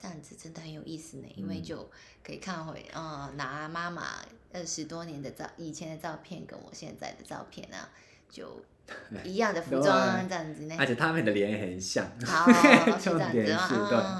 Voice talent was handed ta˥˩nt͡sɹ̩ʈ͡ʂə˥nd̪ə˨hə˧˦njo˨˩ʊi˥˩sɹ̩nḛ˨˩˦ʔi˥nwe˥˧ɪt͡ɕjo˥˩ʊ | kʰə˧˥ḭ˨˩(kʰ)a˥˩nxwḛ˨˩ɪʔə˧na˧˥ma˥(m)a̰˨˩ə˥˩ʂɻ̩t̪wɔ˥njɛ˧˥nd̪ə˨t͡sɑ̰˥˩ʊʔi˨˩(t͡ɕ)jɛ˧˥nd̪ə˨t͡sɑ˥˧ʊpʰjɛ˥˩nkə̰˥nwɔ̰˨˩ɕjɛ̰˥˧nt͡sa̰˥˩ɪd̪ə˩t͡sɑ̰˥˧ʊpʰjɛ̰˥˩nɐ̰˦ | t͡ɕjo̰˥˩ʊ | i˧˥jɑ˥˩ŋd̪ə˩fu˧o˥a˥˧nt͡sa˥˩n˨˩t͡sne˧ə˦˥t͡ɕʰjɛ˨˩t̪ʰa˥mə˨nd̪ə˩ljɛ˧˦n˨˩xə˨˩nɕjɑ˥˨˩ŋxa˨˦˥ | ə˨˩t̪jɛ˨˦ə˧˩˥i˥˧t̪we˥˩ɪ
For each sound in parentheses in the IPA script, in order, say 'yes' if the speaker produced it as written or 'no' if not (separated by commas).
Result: yes, yes, no